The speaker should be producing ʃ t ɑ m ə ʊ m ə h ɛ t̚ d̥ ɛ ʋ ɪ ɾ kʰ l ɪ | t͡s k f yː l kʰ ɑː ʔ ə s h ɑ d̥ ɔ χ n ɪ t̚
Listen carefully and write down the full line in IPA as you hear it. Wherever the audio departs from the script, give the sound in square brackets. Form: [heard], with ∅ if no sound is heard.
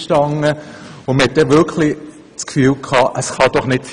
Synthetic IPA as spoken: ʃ t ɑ [ŋ] ə ʊ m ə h ɛ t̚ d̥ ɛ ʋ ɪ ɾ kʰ l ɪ | t͡s k f yː l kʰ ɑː ʔ ə s [χ] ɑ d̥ ɔ χ n ɪ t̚

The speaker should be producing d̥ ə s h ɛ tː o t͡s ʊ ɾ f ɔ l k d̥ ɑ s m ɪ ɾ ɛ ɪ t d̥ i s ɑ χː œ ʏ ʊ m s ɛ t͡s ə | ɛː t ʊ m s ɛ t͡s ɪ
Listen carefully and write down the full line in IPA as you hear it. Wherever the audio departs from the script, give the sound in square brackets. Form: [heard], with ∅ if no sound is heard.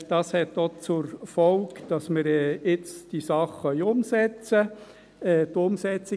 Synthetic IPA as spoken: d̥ [ɑ] s h ɛ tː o t͡s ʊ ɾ f ɔ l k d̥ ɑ s m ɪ ɾ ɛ ɪ [t͡s] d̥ i s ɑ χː œ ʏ ʊ m s ɛ t͡s ə | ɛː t ʊ m s ɛ t͡s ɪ

